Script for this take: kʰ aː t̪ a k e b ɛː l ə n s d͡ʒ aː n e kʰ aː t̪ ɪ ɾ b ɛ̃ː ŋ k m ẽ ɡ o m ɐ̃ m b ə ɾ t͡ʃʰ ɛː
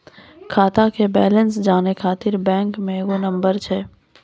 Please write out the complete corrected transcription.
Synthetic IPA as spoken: kʰ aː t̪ a k e b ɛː l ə n s d͡ʒ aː n e kʰ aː t̪ ɪ ɾ b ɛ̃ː ŋ k m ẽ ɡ o n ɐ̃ m b ə ɾ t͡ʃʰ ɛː